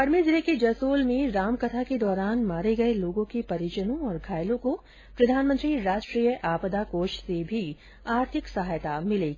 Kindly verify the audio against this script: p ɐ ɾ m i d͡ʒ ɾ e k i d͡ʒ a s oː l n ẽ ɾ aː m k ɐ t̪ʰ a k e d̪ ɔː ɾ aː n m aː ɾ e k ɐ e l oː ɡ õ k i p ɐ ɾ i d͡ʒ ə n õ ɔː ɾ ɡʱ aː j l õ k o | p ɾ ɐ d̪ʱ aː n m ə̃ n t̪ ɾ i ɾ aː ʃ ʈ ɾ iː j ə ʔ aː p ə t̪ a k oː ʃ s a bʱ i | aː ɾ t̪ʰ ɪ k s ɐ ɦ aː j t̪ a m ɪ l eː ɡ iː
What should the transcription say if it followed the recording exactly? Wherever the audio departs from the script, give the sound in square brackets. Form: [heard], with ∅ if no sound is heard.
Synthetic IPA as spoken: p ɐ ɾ m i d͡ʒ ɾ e k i d͡ʒ [ɐ] s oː l [m] ẽ ɾ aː m k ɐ t̪ʰ a k e d̪ ɔː ɾ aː n m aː ɾ e [ɡ] ɐ e l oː ɡ õ k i p ɐ ɾ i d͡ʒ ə n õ ɔː ɾ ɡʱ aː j l õ k o | p ɾ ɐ d̪ʱ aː n m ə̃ n t̪ ɾ i ɾ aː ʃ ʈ ɾ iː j ə ʔ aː p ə [d̪] a k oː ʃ s [e] bʱ i | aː ɾ t̪ʰ ɪ k s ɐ ɦ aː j t̪ a m ɪ l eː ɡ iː